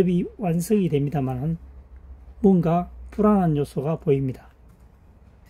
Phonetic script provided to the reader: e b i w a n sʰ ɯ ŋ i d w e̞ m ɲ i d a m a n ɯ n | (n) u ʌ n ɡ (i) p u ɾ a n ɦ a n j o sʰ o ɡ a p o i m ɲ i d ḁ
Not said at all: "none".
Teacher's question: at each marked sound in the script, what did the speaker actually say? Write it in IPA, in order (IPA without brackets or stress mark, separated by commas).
m, a